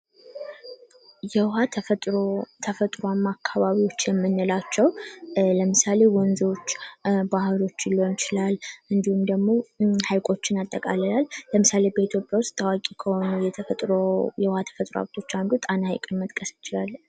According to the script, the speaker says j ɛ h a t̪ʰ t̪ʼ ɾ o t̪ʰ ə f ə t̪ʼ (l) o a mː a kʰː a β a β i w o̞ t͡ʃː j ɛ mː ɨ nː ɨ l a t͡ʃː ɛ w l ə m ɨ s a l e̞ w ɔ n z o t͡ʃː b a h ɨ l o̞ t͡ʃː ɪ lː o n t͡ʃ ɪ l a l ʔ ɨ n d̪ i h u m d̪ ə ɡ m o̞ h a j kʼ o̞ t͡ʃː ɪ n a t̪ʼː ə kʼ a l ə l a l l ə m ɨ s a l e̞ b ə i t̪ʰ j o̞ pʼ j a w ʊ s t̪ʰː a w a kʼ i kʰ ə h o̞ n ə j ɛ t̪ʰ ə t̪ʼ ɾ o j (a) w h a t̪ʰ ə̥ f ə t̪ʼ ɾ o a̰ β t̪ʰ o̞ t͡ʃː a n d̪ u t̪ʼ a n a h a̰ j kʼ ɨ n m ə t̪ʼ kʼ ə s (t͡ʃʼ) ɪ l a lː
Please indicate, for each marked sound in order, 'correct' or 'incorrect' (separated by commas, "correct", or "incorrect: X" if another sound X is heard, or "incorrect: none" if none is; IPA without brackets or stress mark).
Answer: incorrect: ɾ, incorrect: ɛ, incorrect: t͡ʃ